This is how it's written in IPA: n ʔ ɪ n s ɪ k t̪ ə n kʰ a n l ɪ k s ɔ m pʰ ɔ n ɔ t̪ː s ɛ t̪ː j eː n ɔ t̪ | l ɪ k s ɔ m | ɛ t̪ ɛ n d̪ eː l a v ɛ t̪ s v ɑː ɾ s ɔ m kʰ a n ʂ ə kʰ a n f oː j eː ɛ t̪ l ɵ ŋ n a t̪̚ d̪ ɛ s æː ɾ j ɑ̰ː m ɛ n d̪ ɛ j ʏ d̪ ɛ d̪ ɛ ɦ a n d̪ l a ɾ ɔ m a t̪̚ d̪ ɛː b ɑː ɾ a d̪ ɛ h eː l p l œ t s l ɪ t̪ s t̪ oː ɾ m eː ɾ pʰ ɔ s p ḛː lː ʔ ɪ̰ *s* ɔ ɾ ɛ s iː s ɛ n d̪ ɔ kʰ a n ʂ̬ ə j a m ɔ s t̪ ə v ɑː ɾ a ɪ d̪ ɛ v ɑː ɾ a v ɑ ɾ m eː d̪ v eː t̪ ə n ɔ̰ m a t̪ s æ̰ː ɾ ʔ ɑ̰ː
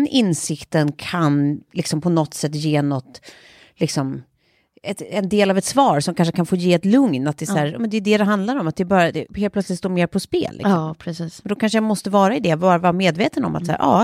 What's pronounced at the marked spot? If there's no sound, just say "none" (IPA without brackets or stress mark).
s